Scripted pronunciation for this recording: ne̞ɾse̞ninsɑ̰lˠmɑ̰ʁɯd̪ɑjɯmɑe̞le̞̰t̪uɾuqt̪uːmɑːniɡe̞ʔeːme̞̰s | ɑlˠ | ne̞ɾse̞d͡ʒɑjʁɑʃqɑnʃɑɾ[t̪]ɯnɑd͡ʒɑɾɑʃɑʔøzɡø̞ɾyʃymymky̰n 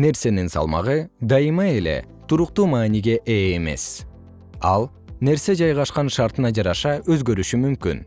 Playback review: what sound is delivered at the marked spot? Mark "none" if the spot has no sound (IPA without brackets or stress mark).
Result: t̪